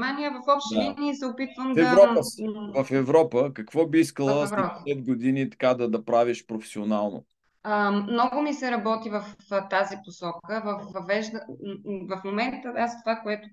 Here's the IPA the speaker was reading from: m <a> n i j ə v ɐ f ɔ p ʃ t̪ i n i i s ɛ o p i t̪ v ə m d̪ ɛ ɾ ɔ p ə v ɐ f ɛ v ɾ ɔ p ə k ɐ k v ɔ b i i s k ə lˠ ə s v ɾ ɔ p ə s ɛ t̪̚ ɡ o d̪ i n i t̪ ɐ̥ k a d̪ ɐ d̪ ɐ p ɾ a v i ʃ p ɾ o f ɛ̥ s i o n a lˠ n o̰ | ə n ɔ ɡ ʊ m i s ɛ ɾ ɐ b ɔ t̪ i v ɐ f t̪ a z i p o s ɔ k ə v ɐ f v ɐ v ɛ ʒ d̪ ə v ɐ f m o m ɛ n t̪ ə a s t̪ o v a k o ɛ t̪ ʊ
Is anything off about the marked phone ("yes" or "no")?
no